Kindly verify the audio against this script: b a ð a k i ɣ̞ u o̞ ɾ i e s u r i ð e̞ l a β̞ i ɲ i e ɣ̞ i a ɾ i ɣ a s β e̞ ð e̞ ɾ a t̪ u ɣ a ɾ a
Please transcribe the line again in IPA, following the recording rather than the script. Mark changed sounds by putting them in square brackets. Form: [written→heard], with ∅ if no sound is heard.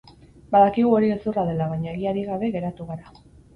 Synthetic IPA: b a ð a k i ɣ̞ u o̞ ɾ i e s u r [i→a] ð e̞ l a β̞ [i→a] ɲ [i→a] e ɣ̞ i a ɾ i ɣ a [s→∅] β e̞ [ð→ɣ] e̞ ɾ a t̪ u ɣ a ɾ a